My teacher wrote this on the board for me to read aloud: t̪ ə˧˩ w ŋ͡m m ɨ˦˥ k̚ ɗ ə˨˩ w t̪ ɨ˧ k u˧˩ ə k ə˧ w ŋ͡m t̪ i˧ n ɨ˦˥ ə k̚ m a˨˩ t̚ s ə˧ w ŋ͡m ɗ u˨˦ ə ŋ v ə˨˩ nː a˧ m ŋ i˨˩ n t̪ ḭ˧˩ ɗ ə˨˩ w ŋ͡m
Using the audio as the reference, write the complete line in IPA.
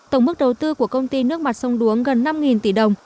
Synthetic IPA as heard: t̪ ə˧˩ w ŋ͡m m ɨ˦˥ k̚ ɗ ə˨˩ w t̪ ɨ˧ k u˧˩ ə k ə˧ w ŋ͡m t̪ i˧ n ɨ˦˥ ə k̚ m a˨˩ t̚ s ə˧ w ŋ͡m ɗ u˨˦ ə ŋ ɣ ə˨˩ nː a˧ m ŋ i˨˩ n t̪ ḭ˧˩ ɗ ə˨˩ w ŋ͡m